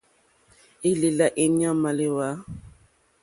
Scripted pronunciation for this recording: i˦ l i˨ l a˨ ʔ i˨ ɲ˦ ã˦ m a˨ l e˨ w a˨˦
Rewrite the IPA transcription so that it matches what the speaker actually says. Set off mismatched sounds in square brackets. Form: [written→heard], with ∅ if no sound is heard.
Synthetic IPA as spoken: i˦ l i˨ l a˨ ʔ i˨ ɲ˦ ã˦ m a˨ l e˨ w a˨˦